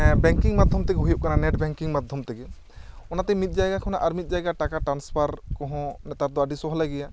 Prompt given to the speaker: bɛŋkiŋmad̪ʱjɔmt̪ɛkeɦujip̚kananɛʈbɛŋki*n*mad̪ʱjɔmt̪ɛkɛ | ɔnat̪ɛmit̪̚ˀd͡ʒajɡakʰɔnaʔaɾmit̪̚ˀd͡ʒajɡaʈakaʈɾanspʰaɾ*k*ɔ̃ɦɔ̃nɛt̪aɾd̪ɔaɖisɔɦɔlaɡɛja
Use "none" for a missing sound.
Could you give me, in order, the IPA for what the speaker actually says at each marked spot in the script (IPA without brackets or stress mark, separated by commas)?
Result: ŋ, k